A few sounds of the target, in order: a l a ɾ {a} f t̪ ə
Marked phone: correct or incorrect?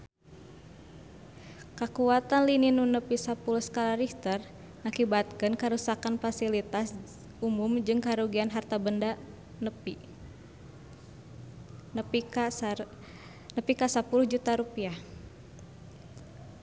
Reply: incorrect: i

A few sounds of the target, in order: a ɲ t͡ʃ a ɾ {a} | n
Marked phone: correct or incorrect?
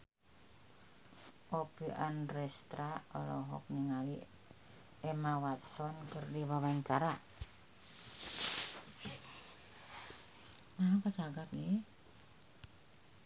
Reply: correct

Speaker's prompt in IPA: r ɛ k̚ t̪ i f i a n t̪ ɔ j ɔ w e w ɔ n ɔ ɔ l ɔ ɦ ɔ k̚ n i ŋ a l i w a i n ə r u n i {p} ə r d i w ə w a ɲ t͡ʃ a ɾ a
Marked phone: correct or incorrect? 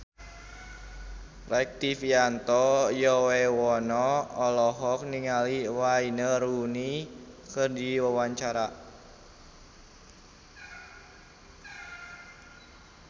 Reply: incorrect: k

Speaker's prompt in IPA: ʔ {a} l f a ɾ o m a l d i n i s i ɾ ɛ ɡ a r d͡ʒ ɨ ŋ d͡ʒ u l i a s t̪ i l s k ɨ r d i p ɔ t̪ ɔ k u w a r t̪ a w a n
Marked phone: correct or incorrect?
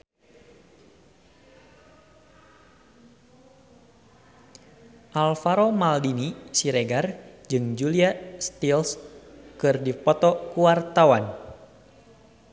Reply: correct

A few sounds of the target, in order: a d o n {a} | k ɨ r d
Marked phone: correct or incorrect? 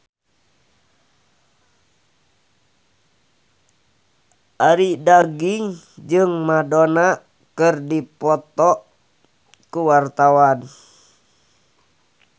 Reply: correct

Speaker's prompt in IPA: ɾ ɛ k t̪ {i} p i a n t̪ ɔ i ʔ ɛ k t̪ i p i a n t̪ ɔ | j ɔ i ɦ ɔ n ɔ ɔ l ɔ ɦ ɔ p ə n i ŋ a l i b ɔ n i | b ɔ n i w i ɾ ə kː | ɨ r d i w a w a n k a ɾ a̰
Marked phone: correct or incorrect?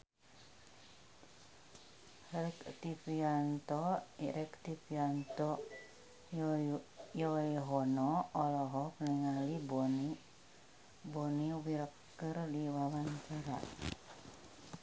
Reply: correct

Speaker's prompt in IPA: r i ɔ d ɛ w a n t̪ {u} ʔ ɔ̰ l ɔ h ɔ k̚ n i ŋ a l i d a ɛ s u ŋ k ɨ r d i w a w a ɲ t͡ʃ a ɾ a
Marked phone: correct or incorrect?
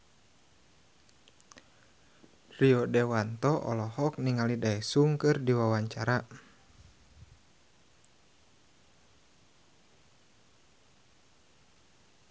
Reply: incorrect: ɔ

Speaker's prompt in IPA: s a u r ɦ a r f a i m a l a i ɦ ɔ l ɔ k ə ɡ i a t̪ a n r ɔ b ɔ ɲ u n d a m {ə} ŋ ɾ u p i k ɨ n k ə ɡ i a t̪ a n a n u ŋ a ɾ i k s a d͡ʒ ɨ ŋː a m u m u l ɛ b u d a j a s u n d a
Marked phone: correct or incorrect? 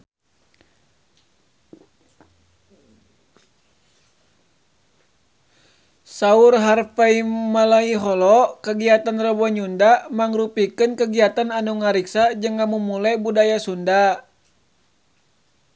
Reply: incorrect: a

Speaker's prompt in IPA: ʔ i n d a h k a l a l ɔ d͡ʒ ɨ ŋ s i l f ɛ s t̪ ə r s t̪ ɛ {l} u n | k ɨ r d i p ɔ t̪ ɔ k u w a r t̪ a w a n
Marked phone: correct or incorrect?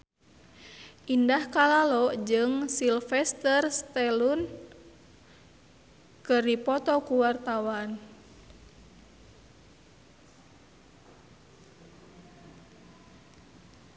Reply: correct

